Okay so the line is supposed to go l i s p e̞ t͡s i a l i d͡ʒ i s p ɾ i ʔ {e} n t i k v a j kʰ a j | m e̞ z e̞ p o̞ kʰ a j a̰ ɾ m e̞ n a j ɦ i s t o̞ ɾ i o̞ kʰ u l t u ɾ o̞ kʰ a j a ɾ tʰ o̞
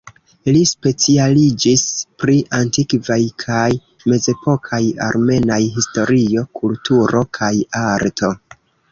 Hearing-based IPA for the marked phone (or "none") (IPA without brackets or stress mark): a